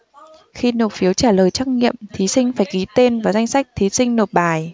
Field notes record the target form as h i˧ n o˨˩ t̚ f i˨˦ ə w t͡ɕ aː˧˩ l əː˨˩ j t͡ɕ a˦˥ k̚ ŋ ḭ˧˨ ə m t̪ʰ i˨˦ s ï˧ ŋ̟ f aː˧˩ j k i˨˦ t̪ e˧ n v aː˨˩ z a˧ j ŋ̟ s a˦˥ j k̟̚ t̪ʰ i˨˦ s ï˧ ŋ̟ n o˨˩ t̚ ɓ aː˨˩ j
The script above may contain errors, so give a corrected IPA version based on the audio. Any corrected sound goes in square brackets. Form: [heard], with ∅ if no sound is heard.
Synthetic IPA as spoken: [x] i˧ n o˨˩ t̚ f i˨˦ ə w t͡ɕ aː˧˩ l əː˨˩ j t͡ɕ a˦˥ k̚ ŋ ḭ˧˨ ə m t̪ʰ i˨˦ s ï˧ ŋ̟ f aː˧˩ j k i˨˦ t̪ e˧ n v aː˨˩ z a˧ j ŋ̟ s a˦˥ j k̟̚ t̪ʰ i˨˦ s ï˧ ŋ̟ n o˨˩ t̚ ɓ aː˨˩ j